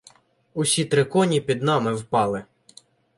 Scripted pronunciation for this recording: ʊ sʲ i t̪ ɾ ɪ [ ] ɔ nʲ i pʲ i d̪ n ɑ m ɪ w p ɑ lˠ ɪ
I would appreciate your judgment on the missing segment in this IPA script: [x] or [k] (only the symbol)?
k